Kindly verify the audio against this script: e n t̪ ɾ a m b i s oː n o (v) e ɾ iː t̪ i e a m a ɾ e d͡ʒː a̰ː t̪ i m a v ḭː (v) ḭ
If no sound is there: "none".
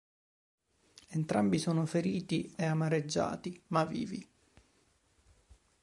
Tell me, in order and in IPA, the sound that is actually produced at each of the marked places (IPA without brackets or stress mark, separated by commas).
f, v